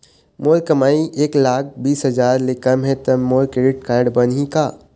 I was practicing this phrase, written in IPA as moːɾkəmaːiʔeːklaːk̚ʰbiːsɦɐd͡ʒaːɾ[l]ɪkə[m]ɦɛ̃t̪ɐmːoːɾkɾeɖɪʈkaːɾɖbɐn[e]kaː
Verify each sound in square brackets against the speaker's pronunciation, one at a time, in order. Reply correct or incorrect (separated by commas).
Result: correct, correct, incorrect